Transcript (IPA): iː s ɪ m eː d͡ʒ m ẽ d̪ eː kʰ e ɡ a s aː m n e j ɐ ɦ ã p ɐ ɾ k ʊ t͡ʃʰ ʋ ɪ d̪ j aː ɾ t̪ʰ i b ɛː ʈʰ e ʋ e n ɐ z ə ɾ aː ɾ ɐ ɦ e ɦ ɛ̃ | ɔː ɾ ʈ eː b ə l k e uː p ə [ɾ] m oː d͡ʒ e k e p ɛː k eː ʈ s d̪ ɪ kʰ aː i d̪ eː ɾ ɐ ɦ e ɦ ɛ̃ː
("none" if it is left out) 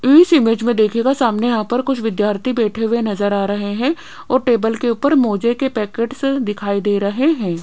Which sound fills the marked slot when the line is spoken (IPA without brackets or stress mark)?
ɾ